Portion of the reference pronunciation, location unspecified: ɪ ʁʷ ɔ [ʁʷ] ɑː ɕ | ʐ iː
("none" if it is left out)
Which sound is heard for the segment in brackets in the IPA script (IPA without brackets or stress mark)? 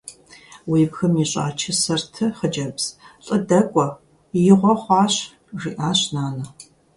χʷ